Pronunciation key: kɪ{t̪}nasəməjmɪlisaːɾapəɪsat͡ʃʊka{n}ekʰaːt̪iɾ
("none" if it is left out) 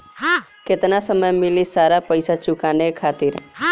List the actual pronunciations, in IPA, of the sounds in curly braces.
t̪, n

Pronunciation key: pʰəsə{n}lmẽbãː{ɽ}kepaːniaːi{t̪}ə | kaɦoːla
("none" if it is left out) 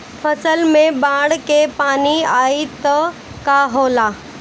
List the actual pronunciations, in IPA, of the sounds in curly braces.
none, ɽ, t̪

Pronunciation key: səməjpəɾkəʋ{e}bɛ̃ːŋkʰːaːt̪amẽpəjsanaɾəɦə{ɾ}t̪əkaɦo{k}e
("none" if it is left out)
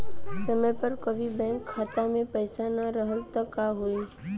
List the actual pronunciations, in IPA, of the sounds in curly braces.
i, l, none

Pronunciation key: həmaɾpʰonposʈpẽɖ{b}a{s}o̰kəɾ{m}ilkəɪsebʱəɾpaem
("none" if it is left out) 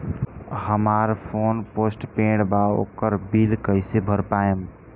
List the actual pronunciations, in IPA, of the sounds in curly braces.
b, none, b

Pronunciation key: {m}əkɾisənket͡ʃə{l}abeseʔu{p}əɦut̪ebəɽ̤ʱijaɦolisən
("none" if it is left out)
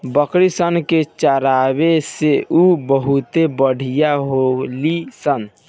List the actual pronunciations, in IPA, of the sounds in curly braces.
b, ɾ, b

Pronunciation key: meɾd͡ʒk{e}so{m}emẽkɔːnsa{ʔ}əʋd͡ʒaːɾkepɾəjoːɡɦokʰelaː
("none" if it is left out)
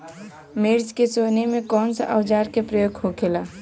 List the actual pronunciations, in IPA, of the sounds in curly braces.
e, n, ʔ

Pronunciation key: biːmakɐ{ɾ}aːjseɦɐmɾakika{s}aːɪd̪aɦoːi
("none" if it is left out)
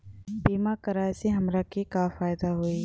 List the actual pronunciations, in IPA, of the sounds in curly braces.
ɾ, f

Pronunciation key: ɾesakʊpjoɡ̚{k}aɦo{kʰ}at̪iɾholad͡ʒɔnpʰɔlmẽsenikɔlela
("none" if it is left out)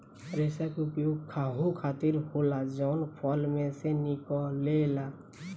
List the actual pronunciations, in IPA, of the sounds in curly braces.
kʰ, kʰ

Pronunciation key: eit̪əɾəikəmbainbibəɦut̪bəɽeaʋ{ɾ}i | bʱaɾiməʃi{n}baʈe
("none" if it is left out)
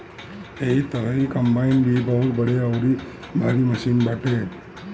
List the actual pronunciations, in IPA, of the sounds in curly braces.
ɾ, n

